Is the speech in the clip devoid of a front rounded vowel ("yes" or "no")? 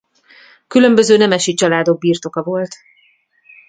no